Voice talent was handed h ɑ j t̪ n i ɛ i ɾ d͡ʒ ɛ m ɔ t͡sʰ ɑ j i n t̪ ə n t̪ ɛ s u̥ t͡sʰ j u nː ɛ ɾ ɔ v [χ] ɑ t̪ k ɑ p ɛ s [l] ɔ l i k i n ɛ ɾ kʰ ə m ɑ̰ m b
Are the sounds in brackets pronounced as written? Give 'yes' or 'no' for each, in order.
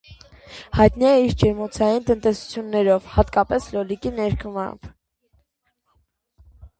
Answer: no, yes

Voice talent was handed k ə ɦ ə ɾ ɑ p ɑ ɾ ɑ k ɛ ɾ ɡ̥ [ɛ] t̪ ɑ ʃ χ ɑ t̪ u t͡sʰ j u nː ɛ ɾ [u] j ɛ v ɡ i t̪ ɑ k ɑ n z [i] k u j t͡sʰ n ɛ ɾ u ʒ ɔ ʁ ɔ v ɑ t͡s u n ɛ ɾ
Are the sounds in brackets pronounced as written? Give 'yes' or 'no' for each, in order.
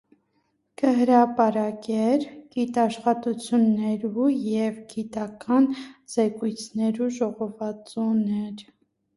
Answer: no, yes, no

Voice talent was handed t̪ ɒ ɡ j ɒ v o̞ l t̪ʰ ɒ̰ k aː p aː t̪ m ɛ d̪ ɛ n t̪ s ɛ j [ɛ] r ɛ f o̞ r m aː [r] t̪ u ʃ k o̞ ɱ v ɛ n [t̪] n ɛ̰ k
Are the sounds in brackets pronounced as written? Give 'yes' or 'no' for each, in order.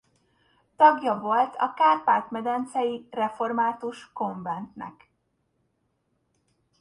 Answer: no, no, yes

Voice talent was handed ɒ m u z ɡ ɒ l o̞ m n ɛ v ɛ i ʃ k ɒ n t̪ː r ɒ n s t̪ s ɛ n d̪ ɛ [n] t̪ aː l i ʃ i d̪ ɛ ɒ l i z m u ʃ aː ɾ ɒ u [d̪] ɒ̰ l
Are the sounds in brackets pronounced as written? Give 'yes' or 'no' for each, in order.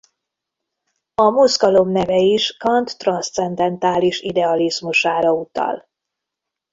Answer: yes, no

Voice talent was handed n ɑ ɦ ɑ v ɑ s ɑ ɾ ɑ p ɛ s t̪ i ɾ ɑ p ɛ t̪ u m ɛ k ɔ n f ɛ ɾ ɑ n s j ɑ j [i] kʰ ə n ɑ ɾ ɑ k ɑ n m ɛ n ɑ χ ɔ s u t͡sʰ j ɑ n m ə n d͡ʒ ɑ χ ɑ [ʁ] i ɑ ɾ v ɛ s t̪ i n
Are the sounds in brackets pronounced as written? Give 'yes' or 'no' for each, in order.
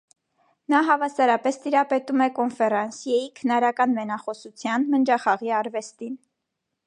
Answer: yes, yes

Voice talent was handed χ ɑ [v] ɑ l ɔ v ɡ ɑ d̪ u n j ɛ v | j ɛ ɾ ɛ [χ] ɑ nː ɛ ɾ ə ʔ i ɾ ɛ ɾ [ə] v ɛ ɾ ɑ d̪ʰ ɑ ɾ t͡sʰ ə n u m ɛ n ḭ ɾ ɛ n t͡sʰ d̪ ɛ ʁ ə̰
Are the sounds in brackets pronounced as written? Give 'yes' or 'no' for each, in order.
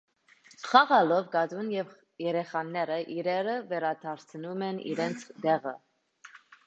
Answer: no, yes, yes

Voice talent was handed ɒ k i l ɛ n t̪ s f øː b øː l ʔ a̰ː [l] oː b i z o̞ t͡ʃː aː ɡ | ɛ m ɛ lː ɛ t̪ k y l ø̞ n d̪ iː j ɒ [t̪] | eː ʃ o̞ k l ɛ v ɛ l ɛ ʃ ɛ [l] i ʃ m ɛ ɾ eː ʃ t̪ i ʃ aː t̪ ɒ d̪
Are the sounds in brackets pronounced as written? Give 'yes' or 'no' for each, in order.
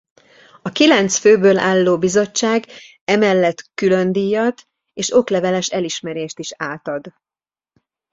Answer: no, yes, yes

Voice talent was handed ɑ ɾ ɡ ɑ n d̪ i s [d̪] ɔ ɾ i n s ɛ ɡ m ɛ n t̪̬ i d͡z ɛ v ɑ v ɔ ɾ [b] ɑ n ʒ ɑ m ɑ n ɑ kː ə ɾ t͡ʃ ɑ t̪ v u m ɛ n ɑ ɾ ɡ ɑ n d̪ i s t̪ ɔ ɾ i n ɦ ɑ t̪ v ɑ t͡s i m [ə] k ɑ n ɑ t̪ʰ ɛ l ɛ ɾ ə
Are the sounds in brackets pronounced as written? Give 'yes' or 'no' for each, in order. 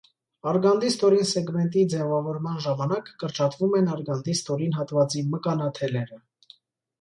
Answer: no, no, yes

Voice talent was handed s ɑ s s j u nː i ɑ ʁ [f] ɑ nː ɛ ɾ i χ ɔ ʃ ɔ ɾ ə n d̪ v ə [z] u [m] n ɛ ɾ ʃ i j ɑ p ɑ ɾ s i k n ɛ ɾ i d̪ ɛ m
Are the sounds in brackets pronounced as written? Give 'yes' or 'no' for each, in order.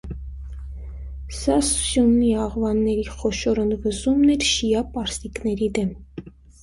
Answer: no, yes, yes

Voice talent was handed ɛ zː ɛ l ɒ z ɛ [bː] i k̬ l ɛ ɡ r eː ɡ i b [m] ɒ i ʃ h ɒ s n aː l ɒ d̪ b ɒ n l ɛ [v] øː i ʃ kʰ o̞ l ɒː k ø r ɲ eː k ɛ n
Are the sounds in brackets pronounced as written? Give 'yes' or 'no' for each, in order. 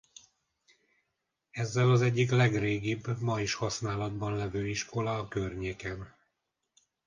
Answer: no, yes, yes

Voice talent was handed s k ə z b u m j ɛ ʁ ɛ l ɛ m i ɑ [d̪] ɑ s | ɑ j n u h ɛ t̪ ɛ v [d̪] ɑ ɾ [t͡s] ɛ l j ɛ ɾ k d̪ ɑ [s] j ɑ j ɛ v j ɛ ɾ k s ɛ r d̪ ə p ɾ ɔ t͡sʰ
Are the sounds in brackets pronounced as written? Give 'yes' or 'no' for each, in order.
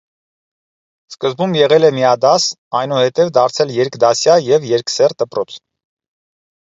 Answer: yes, yes, no, yes

